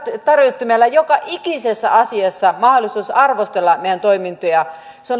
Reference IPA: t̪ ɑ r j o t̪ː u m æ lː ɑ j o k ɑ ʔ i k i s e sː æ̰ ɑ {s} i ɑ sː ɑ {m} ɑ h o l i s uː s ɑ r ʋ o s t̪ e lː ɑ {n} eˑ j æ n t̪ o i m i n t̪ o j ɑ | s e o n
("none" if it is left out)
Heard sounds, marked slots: s, m, m

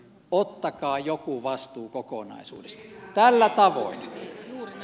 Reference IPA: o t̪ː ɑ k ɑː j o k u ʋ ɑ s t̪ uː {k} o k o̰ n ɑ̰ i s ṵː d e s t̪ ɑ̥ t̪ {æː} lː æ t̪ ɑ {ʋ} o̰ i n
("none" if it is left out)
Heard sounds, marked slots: k, æ, ʋ

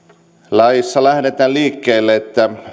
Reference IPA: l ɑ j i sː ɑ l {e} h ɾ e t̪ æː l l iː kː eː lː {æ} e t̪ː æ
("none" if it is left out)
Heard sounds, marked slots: æ, e

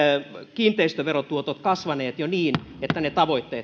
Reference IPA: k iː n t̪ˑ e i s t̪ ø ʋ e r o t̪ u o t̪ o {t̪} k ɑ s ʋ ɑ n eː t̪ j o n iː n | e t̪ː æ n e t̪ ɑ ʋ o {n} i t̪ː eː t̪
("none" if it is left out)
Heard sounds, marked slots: t̪, none

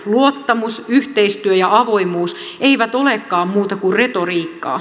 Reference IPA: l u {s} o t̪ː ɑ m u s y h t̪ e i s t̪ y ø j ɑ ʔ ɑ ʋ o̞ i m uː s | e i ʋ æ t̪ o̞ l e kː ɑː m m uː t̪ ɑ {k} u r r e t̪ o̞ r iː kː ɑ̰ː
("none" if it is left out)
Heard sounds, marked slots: none, k

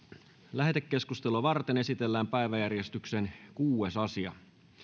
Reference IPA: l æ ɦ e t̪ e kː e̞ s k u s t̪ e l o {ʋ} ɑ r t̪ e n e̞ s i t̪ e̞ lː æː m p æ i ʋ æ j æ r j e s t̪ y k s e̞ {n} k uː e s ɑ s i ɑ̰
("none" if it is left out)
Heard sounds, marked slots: ʋ, n

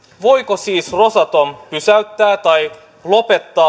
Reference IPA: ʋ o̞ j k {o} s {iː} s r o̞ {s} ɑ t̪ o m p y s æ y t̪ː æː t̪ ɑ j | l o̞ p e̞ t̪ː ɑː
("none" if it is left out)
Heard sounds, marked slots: o, iː, s

